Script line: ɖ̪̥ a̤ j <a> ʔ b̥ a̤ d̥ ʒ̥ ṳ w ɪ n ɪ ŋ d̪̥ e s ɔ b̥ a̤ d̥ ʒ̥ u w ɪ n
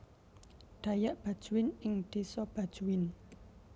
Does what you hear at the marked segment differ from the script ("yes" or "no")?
no